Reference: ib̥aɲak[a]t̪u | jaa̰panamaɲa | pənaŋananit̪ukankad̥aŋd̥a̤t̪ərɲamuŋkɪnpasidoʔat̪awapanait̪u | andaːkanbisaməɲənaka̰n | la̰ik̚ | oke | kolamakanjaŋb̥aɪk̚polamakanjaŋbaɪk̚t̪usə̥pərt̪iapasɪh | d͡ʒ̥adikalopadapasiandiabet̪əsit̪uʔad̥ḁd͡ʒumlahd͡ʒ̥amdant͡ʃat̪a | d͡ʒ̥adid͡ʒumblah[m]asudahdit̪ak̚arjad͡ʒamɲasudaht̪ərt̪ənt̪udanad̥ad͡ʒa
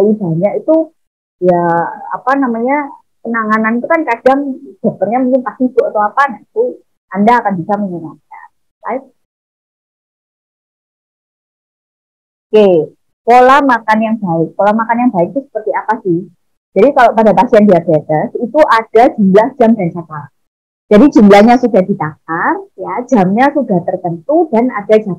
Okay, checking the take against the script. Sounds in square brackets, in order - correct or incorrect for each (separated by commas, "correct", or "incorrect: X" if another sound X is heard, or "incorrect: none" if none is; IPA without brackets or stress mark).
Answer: incorrect: i, incorrect: ɲ